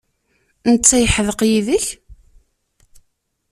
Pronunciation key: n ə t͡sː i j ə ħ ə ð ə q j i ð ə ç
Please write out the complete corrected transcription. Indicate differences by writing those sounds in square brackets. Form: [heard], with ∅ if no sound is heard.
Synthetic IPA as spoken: n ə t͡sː [æ] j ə ħ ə ð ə q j i ð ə ç